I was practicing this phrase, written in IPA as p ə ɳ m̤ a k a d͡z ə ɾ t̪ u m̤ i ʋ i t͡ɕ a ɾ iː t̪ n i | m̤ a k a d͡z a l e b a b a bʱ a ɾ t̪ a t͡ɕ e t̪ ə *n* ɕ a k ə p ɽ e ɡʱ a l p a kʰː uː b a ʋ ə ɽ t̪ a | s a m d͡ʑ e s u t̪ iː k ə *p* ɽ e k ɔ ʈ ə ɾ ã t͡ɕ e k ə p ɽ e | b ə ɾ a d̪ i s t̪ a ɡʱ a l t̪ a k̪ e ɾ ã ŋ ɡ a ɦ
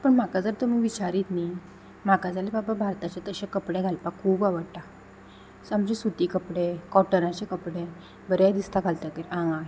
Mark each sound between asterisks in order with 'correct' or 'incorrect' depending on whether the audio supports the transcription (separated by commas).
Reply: incorrect, correct